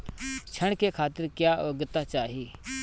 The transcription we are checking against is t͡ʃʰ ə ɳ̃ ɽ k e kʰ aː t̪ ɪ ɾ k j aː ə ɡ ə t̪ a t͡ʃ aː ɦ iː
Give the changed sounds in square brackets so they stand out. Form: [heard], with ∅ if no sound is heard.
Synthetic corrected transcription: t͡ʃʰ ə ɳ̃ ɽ k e kʰ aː t̪ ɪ ɾ k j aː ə ɡ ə t̪ a t͡ʃ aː ɦ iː

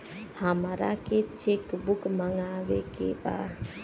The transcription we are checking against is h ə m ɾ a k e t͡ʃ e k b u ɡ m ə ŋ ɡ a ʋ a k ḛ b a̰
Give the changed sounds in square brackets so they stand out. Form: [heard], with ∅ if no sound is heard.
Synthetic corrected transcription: h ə m ɾ a k e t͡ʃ e k b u [k] m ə ŋ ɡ a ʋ [e] k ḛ b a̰

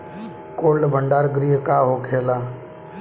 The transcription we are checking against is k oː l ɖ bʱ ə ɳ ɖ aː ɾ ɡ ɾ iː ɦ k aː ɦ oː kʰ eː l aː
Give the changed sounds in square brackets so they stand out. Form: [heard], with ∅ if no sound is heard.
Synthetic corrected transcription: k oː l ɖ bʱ ə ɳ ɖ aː ɾ ɡ ɾ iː ɦ k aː ɦ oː kʰ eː l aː

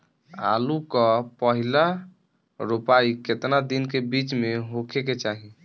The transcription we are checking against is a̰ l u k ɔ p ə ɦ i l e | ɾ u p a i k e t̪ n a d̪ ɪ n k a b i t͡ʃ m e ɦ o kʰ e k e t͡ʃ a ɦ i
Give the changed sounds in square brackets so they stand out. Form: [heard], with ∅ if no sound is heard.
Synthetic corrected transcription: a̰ l u k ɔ p ə ɦ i l [a] | ɾ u p a i k e t̪ n a d̪ [i] n k [e] b i t͡ʃ m e ɦ o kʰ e k e t͡ʃ a ɦ i

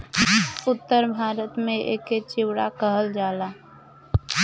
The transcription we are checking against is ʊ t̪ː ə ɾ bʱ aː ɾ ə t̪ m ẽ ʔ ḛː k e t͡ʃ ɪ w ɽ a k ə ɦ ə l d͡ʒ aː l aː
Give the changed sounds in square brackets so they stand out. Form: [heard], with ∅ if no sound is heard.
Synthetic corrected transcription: ʊ t̪ː ə ɾ bʱ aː ɾ ə t̪ m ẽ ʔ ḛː k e t͡ʃ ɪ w ɽ a k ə ɦ ə l d͡ʒ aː l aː

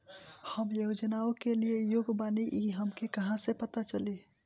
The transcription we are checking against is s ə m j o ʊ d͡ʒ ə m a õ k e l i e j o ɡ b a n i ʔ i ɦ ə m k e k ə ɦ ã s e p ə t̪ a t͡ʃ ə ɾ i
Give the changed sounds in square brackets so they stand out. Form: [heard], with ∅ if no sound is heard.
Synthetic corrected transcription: [h] ə m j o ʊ d͡ʒ ə [n] a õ k e l i e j o ɡ b a n i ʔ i ɦ ə m k e k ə ɦ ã s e p ə t̪ a t͡ʃ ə [l] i

